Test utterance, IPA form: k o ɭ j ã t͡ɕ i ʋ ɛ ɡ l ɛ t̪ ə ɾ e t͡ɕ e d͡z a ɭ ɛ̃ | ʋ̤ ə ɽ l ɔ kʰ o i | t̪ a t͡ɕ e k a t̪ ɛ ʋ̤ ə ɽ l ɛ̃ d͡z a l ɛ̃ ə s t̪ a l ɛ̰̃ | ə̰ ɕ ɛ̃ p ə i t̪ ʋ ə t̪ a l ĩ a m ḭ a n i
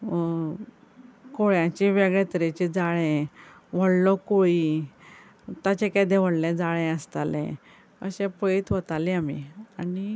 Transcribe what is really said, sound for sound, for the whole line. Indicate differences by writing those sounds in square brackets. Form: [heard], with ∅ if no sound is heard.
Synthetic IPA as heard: k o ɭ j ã t͡ɕ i ʋ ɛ ɡ [ɭ] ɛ t̪ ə ɾ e t͡ɕ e d͡z a ɭ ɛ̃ | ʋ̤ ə ɽ l ɔ [k] o i | t̪ a t͡ɕ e k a [d̪] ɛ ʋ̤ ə ɽ l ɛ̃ d͡z a [ɭ] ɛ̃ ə s t̪ a l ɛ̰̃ | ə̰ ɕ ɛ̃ p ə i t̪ ʋ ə t̪ a l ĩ a m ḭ a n i